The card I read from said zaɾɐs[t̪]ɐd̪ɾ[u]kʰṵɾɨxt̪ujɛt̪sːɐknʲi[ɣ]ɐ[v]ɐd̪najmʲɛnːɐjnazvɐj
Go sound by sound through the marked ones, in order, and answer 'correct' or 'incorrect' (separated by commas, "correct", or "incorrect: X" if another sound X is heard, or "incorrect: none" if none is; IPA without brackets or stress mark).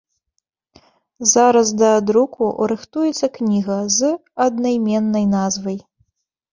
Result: incorrect: d̪, correct, correct, incorrect: z